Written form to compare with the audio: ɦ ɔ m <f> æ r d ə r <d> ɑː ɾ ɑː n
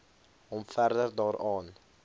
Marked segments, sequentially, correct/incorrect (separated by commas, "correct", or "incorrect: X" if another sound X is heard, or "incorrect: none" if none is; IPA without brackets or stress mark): correct, correct